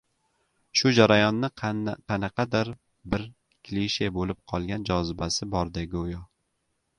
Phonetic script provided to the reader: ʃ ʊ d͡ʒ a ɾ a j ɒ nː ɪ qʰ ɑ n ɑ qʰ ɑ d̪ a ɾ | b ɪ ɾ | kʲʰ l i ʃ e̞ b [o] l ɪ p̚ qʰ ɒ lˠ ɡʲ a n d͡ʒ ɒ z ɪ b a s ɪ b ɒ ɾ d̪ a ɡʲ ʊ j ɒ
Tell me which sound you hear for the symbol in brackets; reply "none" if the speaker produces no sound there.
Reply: o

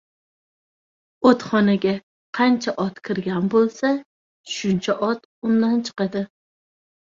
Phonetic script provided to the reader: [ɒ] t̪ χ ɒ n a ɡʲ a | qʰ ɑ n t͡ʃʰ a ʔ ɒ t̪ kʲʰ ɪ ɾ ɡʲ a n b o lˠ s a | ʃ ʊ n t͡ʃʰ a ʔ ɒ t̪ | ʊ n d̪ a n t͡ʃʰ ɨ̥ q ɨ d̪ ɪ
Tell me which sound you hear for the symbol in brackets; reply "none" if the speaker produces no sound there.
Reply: o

